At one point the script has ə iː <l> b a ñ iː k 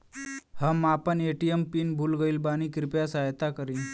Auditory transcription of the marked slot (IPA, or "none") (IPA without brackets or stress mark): l